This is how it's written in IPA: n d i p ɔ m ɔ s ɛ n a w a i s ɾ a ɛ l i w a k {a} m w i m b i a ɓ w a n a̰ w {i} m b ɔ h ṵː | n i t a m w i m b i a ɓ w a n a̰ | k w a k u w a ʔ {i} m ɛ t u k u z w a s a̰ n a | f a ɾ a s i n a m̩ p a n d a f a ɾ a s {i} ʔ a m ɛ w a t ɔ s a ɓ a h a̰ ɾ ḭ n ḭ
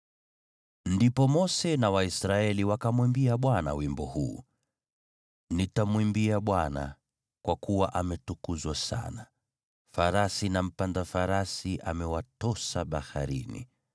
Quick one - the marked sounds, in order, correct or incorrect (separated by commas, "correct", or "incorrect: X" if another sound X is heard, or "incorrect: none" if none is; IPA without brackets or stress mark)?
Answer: correct, correct, incorrect: a, correct